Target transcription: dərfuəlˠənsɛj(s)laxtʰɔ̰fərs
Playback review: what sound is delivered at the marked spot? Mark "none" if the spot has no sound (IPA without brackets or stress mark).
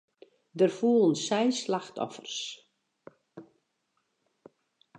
s